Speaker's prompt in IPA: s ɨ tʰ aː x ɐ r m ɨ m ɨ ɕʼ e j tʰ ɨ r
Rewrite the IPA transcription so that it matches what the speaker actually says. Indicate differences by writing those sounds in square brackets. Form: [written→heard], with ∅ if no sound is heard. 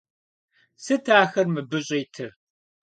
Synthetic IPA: s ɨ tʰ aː x ɐ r m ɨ [m→b] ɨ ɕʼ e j tʰ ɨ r